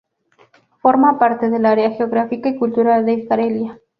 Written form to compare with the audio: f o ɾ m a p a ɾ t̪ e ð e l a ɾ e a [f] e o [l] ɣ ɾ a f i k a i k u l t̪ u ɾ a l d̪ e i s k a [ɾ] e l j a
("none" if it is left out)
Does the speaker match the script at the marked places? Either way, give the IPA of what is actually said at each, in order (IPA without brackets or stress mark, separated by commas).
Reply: x, none, ɾ